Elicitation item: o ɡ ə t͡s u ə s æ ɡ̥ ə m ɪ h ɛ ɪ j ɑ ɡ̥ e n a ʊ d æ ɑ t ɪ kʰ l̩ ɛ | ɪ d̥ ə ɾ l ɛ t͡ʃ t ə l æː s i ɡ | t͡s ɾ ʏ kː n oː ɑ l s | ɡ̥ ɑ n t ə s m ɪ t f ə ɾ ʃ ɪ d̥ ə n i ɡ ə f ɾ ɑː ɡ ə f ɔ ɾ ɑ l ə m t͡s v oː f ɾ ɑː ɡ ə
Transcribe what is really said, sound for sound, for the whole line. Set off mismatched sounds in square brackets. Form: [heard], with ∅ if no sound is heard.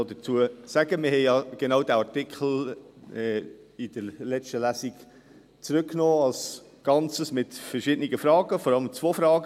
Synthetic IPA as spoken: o [d] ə t͡s u ə s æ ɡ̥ ə m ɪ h ɛ ɪ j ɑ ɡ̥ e n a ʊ d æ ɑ t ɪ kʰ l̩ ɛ | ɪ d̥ ə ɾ l ɛ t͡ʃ t ə l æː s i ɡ | t͡s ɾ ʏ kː n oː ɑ l s | ɡ̥ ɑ n [t͡s] ə s m ɪ t f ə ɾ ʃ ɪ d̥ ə n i ɡ ə f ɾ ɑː ɡ ə f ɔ ɾ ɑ l ə m t͡s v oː f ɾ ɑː ɡ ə